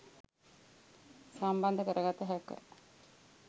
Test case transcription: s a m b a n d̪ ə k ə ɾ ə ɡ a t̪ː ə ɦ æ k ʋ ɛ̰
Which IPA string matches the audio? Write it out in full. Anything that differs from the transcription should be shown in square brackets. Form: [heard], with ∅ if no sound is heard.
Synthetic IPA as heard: s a m b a n d̪ ə k ə ɾ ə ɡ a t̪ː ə ɦ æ k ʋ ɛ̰